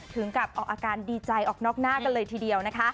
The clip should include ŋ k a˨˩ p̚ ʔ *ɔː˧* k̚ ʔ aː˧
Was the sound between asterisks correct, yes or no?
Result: no